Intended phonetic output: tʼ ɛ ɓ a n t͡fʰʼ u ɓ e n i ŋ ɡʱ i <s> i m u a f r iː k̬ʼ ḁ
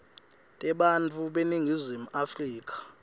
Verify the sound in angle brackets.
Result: incorrect: z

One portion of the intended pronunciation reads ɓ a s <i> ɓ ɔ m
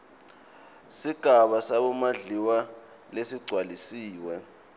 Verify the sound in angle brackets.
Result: incorrect: a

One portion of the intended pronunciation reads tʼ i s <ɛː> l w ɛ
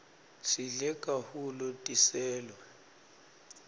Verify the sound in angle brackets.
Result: correct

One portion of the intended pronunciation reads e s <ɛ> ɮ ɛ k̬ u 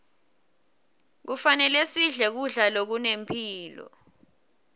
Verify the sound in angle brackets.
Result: incorrect: i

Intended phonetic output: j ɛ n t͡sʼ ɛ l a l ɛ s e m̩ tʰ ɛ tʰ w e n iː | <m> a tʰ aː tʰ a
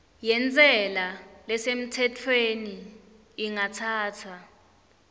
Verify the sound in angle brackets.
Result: incorrect: ŋ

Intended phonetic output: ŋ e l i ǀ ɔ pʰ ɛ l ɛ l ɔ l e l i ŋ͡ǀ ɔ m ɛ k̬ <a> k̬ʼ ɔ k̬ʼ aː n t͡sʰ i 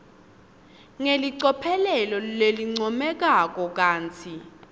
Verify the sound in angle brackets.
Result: correct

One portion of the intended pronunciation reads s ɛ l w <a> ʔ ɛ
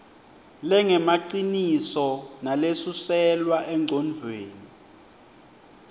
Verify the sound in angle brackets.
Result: correct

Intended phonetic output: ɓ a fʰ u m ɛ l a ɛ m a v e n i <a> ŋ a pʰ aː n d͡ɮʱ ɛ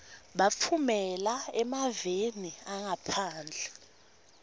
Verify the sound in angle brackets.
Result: correct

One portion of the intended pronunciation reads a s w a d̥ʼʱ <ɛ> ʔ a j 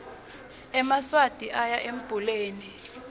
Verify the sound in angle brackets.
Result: incorrect: i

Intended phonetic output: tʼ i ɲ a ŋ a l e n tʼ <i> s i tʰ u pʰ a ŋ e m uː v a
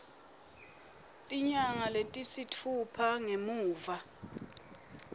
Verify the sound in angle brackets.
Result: correct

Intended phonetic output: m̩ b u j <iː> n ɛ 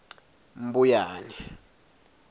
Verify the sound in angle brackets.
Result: incorrect: aː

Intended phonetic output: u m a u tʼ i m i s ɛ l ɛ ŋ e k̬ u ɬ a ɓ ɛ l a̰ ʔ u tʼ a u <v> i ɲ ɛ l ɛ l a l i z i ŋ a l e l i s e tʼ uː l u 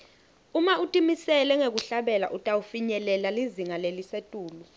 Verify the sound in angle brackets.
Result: incorrect: f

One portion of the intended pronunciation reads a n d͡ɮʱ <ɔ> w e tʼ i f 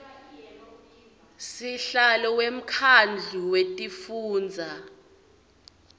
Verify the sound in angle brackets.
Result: incorrect: u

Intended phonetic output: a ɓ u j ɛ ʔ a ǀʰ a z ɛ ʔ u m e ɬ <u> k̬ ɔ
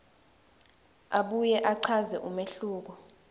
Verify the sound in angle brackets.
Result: incorrect: uː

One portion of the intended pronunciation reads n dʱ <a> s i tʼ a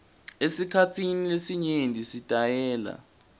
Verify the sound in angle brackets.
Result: incorrect: i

